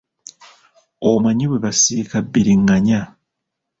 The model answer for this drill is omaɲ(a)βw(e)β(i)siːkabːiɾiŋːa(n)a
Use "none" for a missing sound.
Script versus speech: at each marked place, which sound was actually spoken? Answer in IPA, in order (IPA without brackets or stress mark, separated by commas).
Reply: i, e, a, ɲ